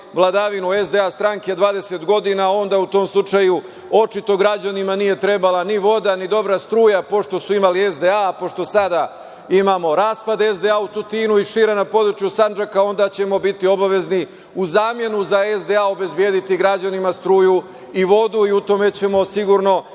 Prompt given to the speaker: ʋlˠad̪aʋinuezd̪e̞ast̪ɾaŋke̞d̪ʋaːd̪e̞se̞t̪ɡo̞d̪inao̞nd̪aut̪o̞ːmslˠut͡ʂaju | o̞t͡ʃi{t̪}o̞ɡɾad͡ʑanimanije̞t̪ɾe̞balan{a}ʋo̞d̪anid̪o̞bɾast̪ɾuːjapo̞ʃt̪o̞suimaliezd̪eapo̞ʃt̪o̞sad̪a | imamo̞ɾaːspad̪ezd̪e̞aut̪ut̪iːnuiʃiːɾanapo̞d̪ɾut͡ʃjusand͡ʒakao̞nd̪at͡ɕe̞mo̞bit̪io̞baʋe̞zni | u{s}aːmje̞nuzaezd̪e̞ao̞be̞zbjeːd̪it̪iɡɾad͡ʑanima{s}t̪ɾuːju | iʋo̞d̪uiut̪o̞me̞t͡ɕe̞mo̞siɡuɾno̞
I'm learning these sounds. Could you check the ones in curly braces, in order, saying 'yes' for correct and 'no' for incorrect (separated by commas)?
yes, no, no, yes